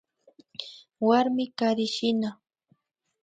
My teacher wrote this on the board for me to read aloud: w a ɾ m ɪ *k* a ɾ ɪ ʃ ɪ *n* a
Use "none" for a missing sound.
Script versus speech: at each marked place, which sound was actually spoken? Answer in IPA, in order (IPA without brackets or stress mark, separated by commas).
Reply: k, n